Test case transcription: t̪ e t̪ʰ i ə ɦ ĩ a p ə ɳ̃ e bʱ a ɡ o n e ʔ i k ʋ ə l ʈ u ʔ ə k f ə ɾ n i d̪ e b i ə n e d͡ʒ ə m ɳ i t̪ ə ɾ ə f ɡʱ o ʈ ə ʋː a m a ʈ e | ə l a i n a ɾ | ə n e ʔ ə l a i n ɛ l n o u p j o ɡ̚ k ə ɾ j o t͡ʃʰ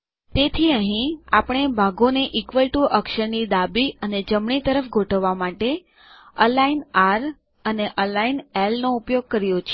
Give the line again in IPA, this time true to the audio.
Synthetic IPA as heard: t̪ e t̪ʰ i ə ɦ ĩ a p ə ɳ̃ e bʱ a ɡ o n e ʔ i k ʋ ə l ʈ u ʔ ə k ʃ ə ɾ n i d̪ a b i ə n e d͡ʒ ə m ɳ i t̪ ə ɾ ə f ɡʱ o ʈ ə ʋː a m a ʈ e | ə l a i n a ɾ | ə n e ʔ ə l a i n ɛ l n o u p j o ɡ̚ k ə ɾ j o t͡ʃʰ